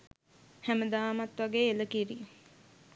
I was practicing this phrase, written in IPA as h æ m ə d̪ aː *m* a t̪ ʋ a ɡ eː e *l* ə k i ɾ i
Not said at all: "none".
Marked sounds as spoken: m, l

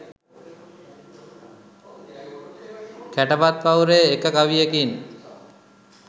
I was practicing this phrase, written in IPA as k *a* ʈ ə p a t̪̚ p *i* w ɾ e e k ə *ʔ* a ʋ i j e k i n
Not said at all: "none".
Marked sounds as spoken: æ, a, k

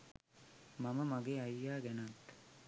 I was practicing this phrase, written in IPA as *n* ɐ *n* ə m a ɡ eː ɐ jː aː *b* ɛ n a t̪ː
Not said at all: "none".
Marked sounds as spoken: m, m, ɡ

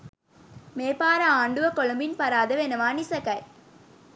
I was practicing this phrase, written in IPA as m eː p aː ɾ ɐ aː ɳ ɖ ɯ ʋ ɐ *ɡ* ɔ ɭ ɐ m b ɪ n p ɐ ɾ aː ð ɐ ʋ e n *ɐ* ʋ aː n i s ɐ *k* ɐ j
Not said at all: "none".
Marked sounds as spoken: k, ɐ, k

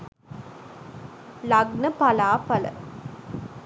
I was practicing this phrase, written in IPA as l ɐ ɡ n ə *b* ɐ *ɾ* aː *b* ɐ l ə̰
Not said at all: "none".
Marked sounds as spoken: p, l, p

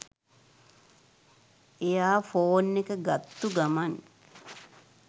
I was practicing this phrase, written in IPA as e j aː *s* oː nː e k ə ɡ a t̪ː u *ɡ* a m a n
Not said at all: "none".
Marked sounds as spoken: f, ɡ

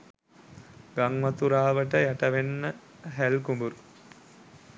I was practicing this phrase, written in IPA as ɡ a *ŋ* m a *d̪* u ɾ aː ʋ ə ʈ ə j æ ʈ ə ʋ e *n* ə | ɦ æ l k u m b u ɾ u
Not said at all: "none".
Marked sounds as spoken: ŋ, t̪, nː

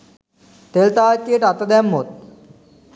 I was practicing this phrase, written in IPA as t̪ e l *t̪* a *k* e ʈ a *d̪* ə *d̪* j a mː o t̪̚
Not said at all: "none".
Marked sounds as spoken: t̪, k, t̪, d̪

